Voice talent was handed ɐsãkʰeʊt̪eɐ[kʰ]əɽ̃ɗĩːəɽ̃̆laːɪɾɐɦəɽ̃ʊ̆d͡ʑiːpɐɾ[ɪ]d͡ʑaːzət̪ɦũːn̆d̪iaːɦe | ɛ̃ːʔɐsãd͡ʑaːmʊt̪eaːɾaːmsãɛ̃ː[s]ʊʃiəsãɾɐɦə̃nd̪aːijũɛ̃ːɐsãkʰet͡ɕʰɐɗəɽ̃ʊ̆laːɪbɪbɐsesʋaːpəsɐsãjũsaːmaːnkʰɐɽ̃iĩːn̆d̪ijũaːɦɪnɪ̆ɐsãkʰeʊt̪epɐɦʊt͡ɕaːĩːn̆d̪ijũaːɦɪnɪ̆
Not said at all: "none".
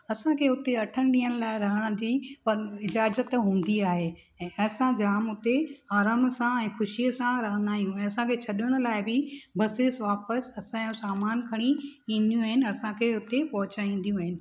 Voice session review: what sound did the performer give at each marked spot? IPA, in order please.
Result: ʈʰ, ɪ, x

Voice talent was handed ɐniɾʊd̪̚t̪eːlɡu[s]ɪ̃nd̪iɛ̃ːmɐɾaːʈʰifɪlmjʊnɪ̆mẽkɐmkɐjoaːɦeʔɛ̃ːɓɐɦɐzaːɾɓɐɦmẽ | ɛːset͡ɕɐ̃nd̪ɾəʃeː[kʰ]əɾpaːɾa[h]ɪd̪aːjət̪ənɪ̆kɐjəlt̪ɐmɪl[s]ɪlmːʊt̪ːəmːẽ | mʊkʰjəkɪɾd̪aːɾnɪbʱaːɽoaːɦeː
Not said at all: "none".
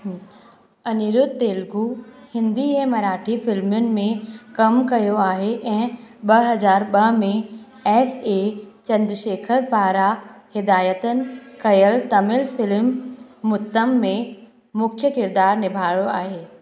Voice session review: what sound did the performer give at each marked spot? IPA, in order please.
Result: h, kʰ, h, f

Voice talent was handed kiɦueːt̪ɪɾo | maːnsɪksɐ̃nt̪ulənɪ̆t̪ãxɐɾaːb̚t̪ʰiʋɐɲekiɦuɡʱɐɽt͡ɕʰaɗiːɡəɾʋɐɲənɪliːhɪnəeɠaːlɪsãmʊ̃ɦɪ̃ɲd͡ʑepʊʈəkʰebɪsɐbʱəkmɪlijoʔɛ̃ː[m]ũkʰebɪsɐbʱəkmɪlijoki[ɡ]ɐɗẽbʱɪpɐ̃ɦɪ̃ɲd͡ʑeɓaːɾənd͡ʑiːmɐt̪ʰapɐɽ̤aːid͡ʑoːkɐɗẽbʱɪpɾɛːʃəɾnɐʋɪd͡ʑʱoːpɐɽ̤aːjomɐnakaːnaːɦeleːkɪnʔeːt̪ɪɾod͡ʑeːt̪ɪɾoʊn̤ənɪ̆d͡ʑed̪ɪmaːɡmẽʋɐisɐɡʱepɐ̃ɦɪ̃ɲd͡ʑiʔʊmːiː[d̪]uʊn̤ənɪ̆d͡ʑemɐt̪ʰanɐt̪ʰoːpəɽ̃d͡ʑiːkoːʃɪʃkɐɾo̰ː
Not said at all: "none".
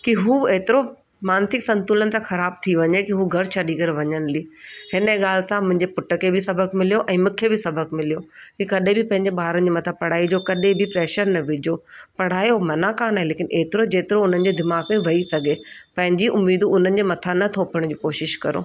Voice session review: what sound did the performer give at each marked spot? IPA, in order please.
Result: m, k, d̪

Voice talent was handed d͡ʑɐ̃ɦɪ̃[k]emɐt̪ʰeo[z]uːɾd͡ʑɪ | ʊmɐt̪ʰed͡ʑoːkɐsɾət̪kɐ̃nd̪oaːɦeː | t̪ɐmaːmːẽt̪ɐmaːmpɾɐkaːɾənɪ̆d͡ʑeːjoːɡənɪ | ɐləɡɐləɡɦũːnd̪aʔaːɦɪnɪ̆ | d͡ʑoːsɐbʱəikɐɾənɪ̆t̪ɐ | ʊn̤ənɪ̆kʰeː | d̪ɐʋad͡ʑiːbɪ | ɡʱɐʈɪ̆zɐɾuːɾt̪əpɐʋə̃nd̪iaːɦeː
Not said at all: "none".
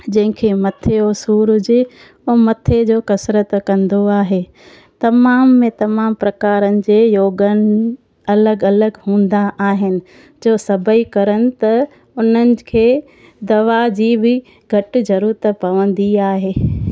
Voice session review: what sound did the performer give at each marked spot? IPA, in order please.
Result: kʰ, s

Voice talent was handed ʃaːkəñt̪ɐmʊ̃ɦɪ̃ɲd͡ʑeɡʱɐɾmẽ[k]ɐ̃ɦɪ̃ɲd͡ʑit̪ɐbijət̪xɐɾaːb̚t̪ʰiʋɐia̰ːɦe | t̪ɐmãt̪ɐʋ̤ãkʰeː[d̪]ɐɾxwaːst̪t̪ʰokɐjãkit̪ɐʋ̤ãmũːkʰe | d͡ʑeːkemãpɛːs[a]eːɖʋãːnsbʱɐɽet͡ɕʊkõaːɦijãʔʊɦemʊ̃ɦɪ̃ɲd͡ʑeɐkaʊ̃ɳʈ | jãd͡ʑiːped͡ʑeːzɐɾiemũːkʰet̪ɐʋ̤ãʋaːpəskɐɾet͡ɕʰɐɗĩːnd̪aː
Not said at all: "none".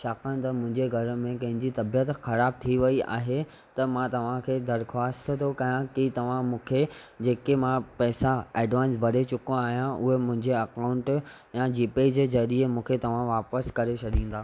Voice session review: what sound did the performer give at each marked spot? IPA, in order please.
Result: k, d̪, a

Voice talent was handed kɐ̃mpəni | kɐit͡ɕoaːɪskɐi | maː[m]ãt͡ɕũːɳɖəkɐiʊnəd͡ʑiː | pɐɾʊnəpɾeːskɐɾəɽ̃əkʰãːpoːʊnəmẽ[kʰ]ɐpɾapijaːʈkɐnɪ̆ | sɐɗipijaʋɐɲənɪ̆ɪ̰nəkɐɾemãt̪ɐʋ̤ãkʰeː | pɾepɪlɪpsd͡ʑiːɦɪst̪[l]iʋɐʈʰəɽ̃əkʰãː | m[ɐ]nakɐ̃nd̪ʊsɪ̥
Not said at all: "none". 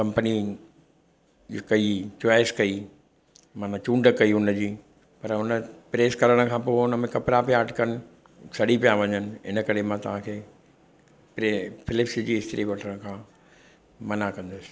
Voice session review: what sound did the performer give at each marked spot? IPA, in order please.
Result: n, k, ɾ, ɐ

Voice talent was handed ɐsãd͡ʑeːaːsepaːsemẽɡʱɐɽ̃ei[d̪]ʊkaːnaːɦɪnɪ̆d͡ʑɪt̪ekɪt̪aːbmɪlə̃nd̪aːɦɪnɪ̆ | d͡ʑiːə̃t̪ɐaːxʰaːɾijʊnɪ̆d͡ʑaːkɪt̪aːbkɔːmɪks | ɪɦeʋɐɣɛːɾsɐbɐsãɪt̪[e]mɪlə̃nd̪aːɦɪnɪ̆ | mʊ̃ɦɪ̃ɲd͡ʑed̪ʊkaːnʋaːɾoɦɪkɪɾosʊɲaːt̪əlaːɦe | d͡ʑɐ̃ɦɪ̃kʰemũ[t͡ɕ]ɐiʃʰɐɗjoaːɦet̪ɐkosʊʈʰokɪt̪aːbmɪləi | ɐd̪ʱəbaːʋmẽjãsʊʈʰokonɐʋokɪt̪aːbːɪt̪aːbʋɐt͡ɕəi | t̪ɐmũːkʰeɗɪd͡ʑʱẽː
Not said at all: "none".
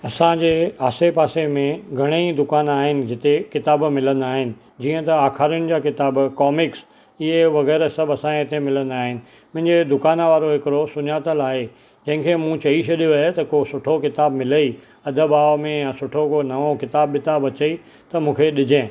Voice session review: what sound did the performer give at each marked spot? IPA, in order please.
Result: d̪, e, t͡ɕ

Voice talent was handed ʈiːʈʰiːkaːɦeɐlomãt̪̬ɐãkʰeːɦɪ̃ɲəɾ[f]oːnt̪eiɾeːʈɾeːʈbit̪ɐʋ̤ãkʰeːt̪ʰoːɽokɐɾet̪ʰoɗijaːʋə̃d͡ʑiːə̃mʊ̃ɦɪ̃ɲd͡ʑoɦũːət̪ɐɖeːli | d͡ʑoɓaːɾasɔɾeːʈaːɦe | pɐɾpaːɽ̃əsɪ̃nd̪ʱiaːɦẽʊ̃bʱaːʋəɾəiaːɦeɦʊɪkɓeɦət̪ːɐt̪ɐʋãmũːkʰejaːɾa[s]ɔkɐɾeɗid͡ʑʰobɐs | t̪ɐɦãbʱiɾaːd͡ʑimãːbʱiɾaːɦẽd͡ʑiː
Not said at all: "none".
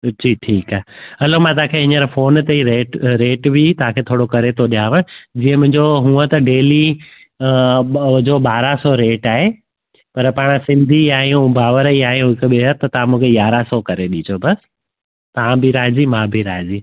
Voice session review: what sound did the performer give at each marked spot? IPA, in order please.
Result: f, s

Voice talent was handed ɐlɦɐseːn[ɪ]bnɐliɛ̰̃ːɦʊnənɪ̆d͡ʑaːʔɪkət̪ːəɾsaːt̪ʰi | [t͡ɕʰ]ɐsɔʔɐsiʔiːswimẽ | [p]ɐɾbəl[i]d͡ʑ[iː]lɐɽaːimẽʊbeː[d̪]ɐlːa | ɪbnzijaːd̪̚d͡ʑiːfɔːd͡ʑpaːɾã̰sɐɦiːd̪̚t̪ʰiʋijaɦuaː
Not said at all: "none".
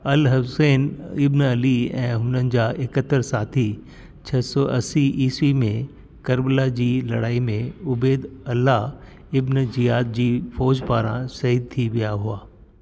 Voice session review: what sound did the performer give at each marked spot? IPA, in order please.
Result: ɪ, t͡ɕʰ, k, a, iː, d̪

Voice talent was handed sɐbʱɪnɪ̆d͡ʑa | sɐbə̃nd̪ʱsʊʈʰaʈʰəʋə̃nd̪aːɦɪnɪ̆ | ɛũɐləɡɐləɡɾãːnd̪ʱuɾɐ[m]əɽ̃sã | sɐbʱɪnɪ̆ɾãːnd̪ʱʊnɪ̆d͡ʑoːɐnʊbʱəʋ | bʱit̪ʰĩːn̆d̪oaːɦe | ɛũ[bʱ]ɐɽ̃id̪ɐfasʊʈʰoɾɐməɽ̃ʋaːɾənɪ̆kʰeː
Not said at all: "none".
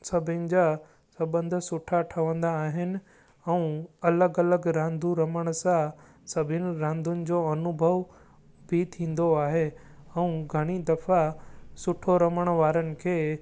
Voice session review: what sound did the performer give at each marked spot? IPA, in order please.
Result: m, ɡʱ

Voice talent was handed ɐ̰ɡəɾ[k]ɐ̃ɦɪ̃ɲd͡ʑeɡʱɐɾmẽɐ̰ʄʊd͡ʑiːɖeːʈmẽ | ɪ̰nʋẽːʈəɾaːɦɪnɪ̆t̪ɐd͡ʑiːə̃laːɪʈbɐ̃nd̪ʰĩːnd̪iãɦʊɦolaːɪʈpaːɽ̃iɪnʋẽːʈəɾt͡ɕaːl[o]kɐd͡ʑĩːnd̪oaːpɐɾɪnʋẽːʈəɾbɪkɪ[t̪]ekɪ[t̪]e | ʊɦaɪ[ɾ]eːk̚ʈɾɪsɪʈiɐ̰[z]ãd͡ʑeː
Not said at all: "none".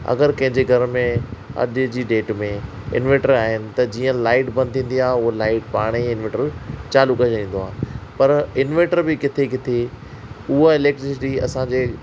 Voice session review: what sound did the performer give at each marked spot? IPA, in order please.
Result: k, u, t̪ʰ, t̪ʰ, l, s

